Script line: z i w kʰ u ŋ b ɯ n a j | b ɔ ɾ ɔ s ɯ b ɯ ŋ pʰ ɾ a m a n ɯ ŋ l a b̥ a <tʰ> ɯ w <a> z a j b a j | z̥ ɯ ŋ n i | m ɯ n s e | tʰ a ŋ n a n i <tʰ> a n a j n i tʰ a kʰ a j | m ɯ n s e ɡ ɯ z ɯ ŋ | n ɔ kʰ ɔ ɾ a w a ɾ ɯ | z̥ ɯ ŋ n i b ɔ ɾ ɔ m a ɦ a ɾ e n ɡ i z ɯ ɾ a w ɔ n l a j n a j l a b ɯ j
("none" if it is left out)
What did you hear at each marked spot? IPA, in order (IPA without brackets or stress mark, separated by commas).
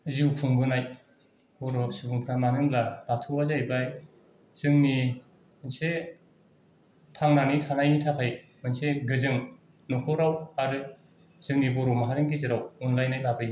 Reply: tʰ, a, tʰ